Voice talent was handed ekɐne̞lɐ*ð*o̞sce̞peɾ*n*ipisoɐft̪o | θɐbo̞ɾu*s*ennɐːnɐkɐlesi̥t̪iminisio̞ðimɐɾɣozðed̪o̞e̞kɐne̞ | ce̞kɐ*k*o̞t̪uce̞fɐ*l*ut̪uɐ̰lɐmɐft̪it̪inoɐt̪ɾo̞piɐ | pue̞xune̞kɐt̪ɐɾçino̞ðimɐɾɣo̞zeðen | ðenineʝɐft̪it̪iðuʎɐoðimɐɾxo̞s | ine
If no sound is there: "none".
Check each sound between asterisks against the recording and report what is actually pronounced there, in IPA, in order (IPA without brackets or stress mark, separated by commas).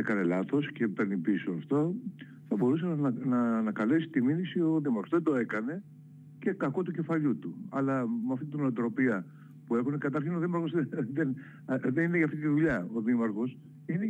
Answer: θ, n, s, k, ʎ